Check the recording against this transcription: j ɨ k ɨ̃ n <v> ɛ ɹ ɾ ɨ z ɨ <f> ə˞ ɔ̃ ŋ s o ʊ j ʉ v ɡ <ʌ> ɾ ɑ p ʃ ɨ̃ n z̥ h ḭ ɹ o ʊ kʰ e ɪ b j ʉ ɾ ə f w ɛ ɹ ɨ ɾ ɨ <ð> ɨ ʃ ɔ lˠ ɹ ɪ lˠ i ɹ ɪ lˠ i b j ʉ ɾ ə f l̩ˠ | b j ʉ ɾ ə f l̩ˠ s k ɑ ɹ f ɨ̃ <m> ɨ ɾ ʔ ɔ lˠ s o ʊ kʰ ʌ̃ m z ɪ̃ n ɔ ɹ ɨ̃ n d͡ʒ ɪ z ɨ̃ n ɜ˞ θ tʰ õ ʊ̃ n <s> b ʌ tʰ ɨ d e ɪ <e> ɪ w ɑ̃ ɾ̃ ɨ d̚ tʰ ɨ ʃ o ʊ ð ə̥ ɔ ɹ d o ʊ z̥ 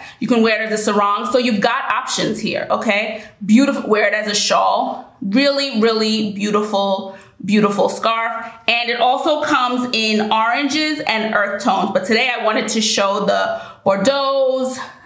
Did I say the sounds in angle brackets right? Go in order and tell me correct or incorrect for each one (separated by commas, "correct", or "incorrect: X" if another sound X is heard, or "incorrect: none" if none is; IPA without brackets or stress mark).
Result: incorrect: w, incorrect: s, incorrect: ɑ, incorrect: z, incorrect: n, incorrect: z, incorrect: a